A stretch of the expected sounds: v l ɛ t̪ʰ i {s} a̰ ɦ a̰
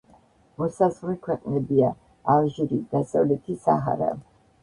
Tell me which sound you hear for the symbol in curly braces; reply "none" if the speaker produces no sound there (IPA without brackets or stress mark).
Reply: s